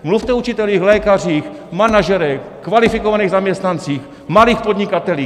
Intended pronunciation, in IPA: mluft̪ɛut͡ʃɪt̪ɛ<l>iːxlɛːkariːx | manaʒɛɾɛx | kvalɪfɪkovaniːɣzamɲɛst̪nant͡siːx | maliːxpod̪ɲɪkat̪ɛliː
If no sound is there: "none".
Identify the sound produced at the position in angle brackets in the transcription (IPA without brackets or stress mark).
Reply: l